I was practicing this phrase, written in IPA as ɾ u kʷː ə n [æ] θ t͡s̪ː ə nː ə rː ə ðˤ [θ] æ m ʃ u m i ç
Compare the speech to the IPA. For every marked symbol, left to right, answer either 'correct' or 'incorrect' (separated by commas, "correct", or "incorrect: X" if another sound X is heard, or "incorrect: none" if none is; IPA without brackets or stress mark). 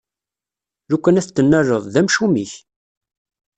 correct, incorrect: ð